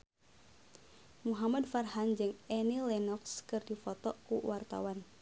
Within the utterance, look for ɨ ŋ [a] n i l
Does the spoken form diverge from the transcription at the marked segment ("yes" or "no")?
yes